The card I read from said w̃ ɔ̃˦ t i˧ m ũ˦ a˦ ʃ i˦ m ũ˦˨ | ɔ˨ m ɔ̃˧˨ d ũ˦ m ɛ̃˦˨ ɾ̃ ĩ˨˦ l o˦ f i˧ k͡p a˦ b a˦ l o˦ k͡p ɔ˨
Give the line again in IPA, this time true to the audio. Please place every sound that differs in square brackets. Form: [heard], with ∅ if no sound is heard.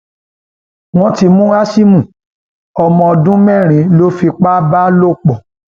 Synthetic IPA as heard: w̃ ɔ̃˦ t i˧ m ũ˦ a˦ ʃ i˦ m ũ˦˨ | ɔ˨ m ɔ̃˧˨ d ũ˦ m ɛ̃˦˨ ɾ̃ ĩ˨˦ l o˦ f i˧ k͡p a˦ b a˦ l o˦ k͡p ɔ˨